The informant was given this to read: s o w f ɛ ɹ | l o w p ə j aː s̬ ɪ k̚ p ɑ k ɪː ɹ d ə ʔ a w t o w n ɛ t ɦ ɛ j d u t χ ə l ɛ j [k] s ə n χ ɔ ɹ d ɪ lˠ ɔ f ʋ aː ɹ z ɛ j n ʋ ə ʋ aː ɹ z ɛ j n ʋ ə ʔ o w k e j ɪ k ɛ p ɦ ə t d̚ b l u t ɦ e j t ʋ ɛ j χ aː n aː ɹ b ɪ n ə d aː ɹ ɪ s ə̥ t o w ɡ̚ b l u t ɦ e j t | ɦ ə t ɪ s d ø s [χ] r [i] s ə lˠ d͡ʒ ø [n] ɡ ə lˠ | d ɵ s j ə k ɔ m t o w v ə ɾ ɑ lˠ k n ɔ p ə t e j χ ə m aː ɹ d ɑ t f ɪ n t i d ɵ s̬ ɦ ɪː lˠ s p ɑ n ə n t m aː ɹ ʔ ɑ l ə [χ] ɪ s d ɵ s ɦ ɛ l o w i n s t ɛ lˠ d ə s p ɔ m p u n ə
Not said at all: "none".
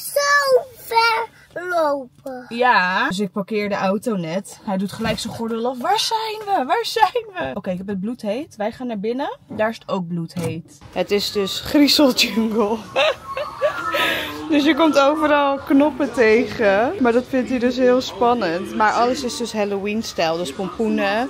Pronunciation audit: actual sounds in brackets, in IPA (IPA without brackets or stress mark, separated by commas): k, χ, i, ŋ, s